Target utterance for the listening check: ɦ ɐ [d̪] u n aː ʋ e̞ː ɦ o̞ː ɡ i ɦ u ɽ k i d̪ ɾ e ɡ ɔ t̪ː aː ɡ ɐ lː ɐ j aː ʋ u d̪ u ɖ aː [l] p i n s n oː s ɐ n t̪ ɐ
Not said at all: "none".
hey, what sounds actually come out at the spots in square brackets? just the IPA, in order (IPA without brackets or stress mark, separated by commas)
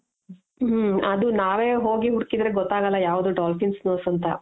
d̪, l